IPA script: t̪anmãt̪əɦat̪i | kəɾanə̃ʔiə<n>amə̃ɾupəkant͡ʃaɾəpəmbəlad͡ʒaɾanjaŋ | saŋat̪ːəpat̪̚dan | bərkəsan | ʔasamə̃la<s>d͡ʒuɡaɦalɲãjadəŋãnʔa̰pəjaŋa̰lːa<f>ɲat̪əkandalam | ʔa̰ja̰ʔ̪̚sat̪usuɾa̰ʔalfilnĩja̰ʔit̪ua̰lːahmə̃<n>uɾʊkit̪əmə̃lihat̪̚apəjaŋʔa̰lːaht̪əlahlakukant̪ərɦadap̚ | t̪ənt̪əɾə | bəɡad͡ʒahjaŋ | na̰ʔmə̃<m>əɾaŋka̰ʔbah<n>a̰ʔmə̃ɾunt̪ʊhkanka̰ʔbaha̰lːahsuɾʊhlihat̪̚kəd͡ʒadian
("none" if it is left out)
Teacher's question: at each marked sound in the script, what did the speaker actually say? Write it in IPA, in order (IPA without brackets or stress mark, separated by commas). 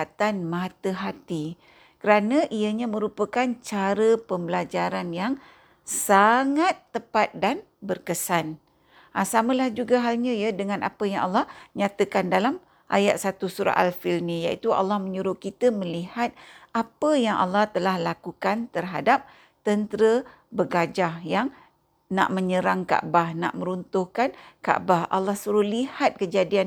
ɲ, h, h, ɲ, ɲ, n